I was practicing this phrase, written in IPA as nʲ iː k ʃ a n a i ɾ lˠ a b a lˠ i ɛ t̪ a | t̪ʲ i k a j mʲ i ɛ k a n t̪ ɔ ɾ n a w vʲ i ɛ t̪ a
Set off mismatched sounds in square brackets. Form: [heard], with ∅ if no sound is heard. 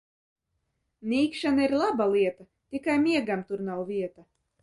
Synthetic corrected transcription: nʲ iː k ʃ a n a i ɾ lˠ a b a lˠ i ɛ t̪ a | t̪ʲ i k a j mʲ i ɛ [ɡ] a [m] t̪ [u] ɾ n a w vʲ i ɛ t̪ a